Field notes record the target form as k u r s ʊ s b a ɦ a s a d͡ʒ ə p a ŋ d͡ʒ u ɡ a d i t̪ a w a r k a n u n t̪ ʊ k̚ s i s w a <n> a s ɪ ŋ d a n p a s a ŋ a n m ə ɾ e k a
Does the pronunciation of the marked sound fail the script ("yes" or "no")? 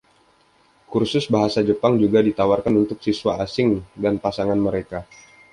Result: yes